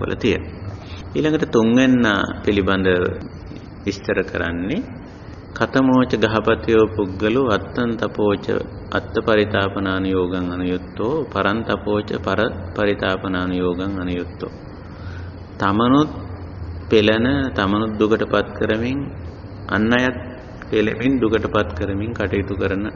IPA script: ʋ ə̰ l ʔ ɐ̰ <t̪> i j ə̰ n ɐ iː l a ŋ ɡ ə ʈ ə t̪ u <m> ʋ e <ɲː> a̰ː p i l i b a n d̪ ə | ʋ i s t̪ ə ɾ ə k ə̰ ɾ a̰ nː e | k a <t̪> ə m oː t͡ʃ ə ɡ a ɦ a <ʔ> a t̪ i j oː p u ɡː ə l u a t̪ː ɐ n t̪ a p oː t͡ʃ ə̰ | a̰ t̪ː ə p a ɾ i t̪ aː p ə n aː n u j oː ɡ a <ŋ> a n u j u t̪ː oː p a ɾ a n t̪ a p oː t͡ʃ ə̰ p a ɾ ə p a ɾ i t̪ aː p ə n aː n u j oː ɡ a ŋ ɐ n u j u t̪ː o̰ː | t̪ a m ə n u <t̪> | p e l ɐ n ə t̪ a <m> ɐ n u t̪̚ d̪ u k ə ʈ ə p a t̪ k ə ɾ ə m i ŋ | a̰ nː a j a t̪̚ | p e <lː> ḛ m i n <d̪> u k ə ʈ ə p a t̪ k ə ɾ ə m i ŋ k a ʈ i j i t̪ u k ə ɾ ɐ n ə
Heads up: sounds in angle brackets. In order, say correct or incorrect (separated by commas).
correct, incorrect, incorrect, correct, incorrect, correct, correct, correct, incorrect, correct